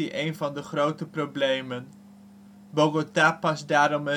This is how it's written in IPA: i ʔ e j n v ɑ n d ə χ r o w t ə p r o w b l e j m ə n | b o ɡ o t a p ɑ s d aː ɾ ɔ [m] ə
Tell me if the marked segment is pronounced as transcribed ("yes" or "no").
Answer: yes